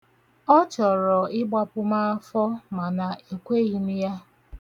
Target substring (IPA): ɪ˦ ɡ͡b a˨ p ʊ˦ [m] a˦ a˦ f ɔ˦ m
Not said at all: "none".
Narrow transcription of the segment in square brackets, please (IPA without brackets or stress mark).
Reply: m